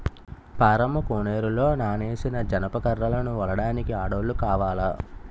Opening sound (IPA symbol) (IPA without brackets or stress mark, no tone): p